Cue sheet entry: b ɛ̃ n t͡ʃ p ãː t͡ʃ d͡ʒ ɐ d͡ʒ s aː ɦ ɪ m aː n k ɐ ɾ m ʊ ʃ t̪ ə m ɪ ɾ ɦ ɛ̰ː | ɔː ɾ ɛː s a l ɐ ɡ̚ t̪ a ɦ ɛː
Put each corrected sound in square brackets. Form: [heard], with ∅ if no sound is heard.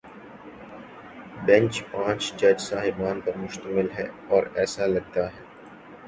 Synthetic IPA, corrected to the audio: b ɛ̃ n t͡ʃ p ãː t͡ʃ d͡ʒ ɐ d͡ʒ s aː ɦ ɪ [b] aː n [p] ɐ ɾ m ʊ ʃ t̪ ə m ɪ [l] ɦ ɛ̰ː | ɔː ɾ ɛː s a l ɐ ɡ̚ t̪ a ɦ ɛː